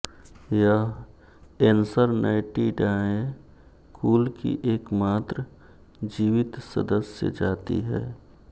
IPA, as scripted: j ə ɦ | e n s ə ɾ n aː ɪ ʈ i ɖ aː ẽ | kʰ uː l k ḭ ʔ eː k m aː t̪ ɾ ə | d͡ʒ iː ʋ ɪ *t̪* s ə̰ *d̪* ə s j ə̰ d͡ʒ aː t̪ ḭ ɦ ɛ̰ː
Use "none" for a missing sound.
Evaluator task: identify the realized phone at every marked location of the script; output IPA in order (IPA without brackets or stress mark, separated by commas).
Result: t̪, d̪